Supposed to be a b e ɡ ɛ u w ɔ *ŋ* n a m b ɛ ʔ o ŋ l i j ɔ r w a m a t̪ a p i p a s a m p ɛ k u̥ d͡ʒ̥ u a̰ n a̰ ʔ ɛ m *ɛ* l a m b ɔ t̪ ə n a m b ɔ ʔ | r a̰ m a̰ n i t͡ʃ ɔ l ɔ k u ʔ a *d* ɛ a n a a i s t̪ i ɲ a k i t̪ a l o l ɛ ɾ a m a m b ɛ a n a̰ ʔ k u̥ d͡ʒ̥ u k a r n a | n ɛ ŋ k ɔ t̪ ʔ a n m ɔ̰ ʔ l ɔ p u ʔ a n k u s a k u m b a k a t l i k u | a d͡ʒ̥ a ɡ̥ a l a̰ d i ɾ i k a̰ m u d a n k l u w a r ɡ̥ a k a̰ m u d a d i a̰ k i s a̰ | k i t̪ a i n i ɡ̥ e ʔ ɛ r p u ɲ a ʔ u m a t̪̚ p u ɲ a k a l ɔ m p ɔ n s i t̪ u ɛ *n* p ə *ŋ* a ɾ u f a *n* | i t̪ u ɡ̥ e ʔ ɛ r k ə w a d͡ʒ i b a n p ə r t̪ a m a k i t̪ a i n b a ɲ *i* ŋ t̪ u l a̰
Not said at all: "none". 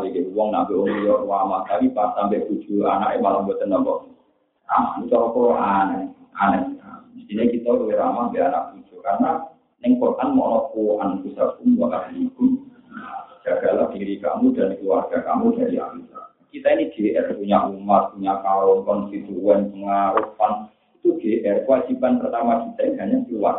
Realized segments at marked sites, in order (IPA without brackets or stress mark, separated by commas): ŋ, a, n, n, ŋ, n, a